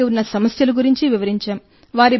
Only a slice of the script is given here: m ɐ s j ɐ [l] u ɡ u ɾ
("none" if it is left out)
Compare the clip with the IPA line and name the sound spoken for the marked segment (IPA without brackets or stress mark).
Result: l